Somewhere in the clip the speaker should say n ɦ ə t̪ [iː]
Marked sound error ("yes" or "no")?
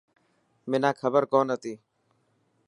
no